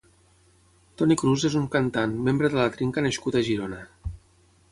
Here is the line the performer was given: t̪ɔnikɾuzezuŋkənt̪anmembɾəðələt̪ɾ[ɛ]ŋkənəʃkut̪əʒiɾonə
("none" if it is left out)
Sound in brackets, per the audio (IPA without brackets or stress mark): i